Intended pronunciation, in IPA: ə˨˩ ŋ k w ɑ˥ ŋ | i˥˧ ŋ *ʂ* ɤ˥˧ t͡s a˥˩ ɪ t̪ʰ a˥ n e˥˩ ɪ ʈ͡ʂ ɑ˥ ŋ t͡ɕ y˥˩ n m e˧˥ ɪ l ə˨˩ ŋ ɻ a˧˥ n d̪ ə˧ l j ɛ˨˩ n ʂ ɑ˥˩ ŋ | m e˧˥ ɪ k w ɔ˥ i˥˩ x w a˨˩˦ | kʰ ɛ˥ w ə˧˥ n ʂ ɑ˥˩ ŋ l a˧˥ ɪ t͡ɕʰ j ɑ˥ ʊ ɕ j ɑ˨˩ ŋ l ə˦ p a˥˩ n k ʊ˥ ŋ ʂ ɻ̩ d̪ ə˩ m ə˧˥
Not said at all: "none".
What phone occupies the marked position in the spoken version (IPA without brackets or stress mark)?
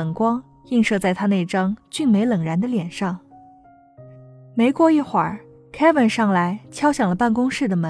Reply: ʂ